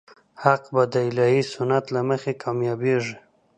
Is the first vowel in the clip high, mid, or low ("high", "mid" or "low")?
low